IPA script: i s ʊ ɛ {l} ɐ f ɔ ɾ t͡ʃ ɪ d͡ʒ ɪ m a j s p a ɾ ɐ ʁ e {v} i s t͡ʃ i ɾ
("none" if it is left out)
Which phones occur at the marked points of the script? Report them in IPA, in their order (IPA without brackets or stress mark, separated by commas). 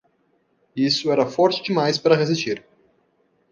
ɾ, z